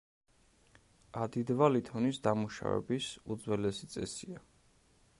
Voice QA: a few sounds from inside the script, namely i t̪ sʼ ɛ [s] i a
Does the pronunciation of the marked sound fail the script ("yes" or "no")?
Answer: no